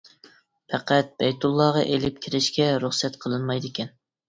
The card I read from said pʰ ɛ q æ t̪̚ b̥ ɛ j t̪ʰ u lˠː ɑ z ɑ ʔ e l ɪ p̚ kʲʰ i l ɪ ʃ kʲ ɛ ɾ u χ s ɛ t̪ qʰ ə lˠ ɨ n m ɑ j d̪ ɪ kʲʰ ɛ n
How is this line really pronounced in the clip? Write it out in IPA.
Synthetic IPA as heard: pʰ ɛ q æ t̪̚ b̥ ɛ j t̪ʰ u lˠː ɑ ʁ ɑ ʔ e l ɪ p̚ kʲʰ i ɾ ɪ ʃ kʲ ɛ ɾ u χ s ɛ t̪ qʰ ə lˠ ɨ n m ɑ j d̪ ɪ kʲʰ ɛ n